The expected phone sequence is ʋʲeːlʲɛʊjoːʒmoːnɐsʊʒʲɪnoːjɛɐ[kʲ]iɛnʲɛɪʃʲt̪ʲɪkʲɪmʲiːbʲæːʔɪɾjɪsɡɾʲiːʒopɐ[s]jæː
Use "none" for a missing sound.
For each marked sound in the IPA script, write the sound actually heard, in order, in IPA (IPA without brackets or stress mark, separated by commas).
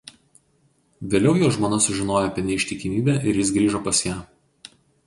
pʲ, s